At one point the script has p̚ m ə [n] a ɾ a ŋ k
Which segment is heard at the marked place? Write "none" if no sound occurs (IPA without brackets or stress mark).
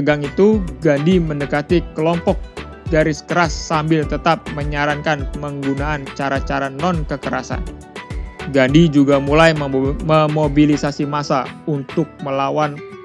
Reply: ɲ